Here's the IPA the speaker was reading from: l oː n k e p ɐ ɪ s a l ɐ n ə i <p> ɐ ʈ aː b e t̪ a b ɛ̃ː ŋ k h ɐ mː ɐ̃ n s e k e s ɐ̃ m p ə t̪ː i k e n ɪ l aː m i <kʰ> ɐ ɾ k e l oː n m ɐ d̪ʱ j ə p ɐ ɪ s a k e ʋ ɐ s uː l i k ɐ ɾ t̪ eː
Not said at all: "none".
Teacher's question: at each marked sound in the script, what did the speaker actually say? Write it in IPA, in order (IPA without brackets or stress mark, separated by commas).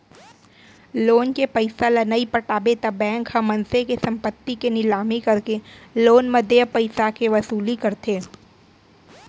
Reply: p, k